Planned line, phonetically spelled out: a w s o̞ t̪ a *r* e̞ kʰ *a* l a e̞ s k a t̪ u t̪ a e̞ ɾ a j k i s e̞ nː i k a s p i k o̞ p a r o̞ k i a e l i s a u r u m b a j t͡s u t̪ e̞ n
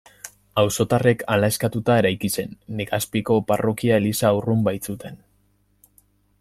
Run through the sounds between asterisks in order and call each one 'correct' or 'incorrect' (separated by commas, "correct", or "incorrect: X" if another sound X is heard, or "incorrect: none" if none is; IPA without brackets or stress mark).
correct, correct